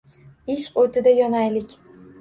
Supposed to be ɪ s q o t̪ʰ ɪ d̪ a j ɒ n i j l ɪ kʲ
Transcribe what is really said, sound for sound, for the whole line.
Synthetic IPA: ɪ ʃ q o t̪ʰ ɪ d̪ a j ɒ n a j l ɪ kʲ